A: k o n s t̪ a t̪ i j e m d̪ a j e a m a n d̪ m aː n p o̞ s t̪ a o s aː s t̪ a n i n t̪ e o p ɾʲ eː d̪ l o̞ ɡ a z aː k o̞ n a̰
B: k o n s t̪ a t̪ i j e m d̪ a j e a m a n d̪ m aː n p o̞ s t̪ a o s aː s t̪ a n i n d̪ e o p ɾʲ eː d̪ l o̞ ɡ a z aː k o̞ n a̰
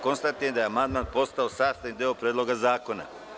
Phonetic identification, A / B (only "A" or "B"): B